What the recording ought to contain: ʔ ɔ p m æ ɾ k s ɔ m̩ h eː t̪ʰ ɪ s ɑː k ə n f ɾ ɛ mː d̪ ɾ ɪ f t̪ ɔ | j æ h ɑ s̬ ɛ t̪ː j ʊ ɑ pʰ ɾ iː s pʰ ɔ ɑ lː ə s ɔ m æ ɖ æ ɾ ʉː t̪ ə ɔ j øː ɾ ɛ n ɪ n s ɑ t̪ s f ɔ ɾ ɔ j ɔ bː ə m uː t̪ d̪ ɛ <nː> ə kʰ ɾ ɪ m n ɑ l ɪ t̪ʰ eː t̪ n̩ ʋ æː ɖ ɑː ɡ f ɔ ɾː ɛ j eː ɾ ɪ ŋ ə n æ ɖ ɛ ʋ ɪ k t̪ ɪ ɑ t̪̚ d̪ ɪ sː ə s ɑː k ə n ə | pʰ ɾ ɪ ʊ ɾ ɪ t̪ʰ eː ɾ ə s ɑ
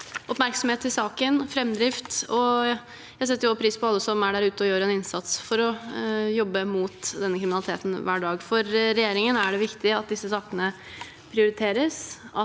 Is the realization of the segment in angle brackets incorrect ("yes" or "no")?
no